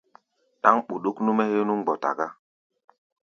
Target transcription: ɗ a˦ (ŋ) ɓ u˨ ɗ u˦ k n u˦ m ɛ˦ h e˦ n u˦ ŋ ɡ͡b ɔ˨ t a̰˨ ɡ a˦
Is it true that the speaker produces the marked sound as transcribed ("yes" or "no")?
yes